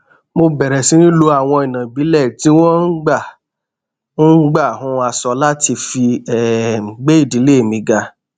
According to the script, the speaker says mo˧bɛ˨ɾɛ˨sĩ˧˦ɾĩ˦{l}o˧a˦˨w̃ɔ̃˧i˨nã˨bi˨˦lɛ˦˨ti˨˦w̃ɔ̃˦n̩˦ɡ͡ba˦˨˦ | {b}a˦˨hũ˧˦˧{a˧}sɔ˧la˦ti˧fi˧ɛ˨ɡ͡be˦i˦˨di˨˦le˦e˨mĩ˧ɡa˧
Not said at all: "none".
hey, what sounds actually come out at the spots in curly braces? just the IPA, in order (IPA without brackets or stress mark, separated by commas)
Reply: l, ɡ͡b, a˧